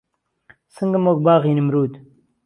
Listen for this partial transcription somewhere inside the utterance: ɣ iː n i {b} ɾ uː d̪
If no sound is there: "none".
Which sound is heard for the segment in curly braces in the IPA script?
m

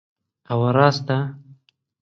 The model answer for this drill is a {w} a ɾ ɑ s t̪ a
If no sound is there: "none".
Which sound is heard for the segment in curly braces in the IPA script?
w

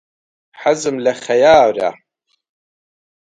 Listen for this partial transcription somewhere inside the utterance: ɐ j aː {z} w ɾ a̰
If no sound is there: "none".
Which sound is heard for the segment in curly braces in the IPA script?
none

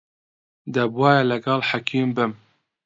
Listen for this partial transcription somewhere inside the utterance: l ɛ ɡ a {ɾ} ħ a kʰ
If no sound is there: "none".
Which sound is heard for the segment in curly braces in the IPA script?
l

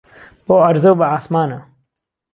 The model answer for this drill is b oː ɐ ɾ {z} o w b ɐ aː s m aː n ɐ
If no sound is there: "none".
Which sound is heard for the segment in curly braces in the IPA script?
z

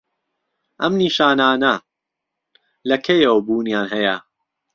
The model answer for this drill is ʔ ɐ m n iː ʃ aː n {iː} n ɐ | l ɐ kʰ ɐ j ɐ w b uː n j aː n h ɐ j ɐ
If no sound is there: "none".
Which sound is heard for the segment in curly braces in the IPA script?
aː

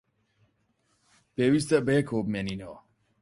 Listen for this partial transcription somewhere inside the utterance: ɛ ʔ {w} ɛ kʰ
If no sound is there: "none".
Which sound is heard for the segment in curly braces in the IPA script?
b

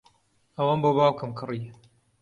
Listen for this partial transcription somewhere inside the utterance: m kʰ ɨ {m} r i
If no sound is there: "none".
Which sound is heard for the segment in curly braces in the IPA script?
none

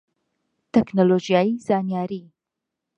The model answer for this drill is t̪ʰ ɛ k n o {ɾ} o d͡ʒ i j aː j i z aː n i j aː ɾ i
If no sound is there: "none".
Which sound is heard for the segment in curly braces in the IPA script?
l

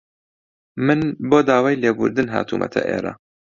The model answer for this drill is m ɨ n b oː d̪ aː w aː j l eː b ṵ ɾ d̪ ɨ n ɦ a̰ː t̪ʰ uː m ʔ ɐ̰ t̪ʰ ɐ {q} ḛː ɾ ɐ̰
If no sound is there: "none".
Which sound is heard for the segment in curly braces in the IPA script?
ʔ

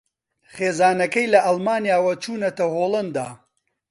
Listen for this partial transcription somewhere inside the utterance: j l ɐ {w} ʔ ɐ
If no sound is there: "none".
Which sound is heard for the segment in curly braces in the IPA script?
none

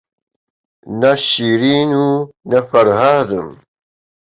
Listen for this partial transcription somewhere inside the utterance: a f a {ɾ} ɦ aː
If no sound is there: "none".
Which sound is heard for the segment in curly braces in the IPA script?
ɾ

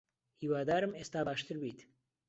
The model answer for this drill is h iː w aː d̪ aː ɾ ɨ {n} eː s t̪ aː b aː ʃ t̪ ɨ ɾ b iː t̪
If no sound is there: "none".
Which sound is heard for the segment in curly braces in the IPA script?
m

